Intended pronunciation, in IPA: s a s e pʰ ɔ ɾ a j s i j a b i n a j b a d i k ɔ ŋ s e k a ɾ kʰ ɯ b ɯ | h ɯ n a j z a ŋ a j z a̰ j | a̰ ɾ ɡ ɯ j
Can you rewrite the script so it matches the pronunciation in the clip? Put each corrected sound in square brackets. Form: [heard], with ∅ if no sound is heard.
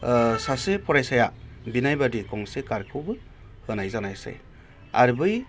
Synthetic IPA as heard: s a s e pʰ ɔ ɾ a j s [a] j a b i n a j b a d i k ɔ ŋ s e k a ɾ kʰ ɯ b ɯ | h ɯ n a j z a [n] a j [s] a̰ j | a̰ ɾ [b] ɯ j